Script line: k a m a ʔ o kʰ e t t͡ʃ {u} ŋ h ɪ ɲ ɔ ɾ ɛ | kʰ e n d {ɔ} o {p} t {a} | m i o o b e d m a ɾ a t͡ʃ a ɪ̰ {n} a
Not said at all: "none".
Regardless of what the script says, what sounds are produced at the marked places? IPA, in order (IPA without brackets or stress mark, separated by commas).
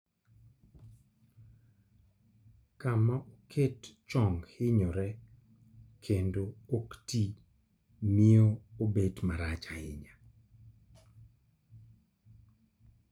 ɔ, o, k, i, ɲ